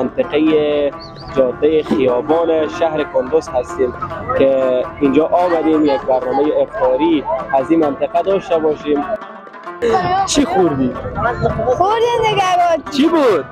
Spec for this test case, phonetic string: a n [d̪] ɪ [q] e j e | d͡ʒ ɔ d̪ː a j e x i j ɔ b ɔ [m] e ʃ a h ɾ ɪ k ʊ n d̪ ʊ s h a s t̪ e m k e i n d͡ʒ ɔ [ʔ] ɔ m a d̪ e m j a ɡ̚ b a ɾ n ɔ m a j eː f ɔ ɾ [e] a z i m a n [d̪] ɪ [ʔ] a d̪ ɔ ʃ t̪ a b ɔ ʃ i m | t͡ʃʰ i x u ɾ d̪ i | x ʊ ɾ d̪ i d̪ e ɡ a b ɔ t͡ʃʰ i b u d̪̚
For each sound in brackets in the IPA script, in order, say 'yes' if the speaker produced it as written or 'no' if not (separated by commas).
no, yes, no, yes, no, no, no